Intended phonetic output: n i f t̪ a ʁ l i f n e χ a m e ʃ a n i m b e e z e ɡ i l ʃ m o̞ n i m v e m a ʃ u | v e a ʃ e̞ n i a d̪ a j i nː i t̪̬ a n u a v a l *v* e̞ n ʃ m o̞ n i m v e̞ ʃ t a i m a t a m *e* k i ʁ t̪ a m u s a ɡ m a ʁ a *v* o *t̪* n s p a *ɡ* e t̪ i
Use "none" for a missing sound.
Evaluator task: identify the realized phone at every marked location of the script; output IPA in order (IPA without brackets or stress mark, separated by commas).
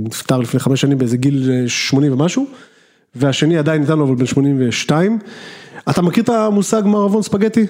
b, a, v, none, ɡ